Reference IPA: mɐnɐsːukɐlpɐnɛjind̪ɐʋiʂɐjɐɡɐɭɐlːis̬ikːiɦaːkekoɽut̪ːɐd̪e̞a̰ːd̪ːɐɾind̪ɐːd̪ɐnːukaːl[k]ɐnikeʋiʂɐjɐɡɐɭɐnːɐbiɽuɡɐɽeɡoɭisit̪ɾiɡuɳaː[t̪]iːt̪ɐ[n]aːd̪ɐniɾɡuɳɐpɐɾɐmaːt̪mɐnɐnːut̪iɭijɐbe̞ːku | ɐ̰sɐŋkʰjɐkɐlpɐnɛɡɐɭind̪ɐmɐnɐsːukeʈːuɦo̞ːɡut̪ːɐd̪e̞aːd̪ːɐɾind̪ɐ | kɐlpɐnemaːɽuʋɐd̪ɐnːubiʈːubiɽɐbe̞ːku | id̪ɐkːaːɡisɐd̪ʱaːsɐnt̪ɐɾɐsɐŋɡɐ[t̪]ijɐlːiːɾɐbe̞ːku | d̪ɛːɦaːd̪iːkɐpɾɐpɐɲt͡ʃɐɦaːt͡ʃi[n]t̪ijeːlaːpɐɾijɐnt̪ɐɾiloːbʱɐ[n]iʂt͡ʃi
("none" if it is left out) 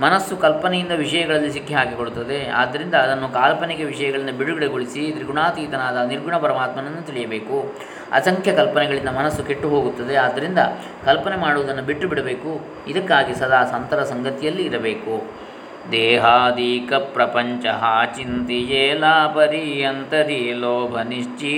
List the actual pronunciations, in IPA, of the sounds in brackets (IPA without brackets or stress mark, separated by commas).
p, t̪, n, t̪, n, n